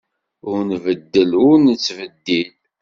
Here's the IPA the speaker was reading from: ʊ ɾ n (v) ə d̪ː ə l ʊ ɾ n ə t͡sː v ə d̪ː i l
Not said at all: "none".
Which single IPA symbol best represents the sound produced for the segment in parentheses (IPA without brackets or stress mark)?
v